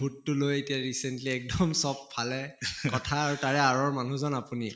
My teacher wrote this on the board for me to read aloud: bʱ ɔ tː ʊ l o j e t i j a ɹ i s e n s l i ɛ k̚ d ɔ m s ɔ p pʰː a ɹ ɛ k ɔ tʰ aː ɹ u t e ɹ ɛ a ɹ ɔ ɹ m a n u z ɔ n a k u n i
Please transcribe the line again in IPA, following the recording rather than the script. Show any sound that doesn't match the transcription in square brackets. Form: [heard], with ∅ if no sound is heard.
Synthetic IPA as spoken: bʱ [u] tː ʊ l o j e t i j a ɹ i s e n [t] l i ɛ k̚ d ɔ m s ɔ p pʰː a [l] ɛ k ɔ tʰ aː ɹ u t [a] ɹ ɛ a ɹ ɔ ɹ m a n u z ɔ n a [p] u n i